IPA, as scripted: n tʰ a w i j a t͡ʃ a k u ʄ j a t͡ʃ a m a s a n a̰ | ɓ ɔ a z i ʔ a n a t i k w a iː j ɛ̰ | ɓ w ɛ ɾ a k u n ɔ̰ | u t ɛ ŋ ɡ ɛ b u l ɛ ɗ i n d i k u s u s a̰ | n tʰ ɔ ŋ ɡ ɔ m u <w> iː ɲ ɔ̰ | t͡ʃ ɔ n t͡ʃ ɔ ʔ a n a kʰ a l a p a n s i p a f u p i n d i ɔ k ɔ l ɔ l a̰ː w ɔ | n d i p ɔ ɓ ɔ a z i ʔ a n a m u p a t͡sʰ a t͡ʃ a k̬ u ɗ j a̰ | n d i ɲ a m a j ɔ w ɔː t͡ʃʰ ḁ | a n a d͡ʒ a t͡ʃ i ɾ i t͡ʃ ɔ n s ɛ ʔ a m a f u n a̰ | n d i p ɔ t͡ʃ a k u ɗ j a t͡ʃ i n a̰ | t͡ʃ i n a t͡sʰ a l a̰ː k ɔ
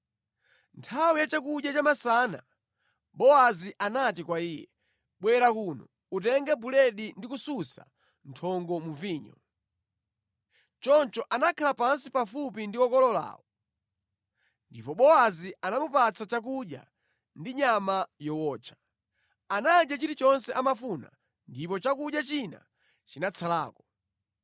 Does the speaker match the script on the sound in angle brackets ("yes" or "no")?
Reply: no